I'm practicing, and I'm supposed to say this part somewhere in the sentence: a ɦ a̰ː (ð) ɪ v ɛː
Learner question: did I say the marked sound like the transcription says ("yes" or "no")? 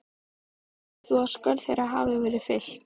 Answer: no